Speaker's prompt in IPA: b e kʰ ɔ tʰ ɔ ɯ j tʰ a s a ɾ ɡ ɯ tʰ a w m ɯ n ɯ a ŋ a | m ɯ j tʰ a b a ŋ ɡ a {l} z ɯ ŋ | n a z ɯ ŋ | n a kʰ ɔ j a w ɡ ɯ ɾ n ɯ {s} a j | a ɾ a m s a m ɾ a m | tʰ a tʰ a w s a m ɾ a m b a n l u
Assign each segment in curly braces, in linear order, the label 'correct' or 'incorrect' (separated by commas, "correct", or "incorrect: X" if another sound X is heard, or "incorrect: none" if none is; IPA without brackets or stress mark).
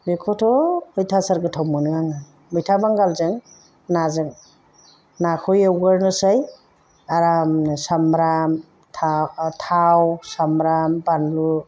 correct, correct